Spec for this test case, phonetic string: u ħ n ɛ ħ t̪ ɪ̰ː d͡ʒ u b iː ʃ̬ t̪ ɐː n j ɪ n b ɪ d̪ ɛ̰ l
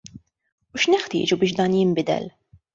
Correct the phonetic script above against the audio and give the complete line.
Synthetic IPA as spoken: u ʃ n ɛ ħ t̪ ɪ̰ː d͡ʒ u b ɪː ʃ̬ d̪ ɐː n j ɪ m b ɪ d̪ ɛ̰ l